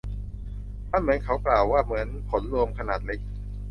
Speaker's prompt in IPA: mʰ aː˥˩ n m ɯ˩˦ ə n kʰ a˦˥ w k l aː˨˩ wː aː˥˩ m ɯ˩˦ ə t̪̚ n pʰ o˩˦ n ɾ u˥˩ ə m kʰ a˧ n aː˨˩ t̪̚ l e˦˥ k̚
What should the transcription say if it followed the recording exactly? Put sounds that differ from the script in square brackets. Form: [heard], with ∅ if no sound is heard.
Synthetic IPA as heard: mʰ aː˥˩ n m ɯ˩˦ ə n kʰ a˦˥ w k l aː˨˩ wː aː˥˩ m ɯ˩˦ ə [∅] n pʰ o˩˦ n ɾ [u˧] ə m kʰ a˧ n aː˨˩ t̪̚ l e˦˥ k̚